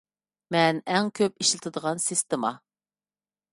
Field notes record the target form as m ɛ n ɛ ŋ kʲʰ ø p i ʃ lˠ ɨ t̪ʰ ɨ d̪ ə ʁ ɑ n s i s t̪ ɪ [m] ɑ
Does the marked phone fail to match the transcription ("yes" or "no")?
no